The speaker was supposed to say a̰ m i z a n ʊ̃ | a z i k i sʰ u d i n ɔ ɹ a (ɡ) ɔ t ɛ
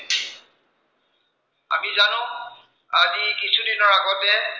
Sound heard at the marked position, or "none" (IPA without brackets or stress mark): ɡ